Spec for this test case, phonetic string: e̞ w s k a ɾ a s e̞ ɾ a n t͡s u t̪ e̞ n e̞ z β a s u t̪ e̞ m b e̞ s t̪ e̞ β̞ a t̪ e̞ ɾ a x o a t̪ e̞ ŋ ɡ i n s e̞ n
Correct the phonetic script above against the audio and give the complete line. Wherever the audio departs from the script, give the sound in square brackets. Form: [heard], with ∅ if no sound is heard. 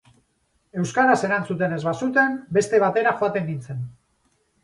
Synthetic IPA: e̞ w s k a ɾ a s e̞ ɾ a n t͡s u t̪ e̞ n e̞ z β a s u t̪ e̞ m b e̞ s t̪ e̞ β̞ a t̪ e̞ ɾ a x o a t̪ e̞ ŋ ɡ i n [t͡s] e̞ n

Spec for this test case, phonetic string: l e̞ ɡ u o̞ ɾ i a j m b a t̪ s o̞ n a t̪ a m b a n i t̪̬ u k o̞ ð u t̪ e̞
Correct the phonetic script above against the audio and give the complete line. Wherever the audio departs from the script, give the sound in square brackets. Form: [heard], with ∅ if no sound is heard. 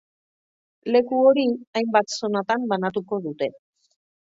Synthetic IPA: l e̞ [k] u o̞ ɾ i a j m b a t̪ s o̞ n a t̪ a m b a n [a] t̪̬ u k o̞ ð u t̪ e̞

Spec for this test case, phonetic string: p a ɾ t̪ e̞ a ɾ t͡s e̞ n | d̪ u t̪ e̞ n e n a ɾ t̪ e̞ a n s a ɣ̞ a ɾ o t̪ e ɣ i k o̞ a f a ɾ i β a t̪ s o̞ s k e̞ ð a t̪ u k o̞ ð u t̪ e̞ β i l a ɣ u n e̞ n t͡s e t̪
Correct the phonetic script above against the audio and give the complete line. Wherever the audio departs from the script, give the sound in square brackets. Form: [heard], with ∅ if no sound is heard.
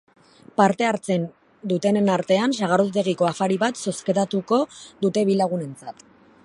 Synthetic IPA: p a ɾ t̪ e̞ a ɾ t͡s e̞ n | d̪ u t̪ e̞ n e n a ɾ t̪ e̞ a n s a ɣ̞ a ɾ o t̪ e ɣ i k o̞ a f a ɾ i β a t̪ s o̞ s k e̞ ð a t̪ u k o̞ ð u t̪ e̞ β i l a ɣ u n e̞ n t͡s [a] t̪

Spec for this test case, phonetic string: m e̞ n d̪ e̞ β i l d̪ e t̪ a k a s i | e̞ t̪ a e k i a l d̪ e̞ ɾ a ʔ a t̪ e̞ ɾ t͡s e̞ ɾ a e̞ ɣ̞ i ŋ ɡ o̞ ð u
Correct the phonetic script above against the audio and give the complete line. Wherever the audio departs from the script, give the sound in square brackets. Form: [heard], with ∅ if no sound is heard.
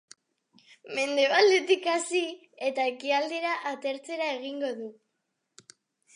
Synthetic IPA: m e̞ n d̪ e̞ β [a] l d̪ e t̪ [i] k a s i | e̞ t̪ a e k i a l d̪ e̞ ɾ a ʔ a t̪ e̞ ɾ t͡s e̞ ɾ a e̞ ɣ̞ i ŋ ɡ o̞ ð u

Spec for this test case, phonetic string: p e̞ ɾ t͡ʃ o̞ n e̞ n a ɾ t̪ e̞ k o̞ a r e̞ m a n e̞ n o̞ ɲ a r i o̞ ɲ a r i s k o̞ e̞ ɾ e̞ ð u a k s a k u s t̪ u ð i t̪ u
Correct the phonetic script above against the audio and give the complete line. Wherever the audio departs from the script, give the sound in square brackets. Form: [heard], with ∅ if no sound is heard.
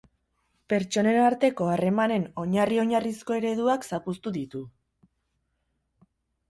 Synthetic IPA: p e̞ ɾ t͡ʃ o̞ n e̞ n a ɾ t̪ e̞ k o̞ a r e̞ m a n e̞ n o̞ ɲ a r i o̞ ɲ a r i s k o̞ e̞ ɾ e̞ ð u a k s a [p] u s t̪ u ð i t̪ u

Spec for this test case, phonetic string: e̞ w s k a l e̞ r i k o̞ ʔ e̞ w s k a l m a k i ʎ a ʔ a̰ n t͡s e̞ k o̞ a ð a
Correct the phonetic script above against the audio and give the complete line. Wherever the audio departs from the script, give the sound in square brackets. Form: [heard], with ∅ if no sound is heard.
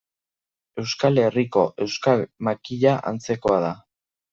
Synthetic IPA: e̞ w s k a l e̞ r i k o̞ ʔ e̞ w s k a l m a k i ʎ a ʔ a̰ n t͡s e̞ k o̞ a ð a

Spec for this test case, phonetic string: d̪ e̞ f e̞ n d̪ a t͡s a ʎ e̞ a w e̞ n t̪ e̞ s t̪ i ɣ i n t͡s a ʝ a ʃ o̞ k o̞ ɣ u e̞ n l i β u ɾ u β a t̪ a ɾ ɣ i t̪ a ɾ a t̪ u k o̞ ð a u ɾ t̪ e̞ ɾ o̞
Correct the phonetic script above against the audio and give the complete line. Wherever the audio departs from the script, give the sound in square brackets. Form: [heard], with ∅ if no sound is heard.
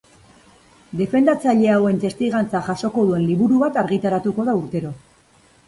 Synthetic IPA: d̪ e̞ f e̞ n d̪ a t͡s a ʎ e̞ a w e̞ n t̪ e̞ s t̪ i ɣ [a] n t͡s a ʝ a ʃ o̞ k o̞ [ð] u e̞ n l i β u ɾ u β a t̪ a ɾ ɣ i t̪ a ɾ a t̪ u k o̞ ð a u ɾ t̪ e̞ ɾ o̞

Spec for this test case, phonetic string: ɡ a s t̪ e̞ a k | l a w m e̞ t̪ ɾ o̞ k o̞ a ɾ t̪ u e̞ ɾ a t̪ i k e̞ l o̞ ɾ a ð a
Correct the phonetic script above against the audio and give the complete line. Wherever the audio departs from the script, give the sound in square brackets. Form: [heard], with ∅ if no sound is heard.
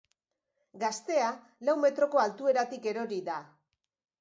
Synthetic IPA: ɡ a s t̪ e̞ a [∅] | l a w m e̞ t̪ ɾ o̞ k o̞ a [l] t̪ u e̞ ɾ a t̪ i k e̞ [ɾ] o̞ ɾ [i] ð a

